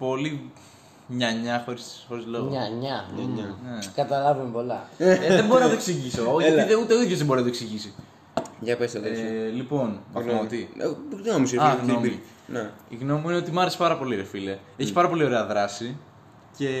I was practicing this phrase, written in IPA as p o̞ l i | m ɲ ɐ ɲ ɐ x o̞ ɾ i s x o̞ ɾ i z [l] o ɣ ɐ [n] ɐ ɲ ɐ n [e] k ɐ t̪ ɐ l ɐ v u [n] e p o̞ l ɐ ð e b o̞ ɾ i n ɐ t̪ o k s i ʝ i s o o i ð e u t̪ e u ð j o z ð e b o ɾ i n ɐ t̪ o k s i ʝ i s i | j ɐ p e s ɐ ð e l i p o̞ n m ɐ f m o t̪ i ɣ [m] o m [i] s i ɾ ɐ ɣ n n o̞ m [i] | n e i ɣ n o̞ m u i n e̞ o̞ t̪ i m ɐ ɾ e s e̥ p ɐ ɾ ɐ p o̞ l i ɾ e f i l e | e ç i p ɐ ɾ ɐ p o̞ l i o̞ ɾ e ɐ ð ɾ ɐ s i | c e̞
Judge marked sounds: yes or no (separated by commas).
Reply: yes, no, yes, no, no, yes, yes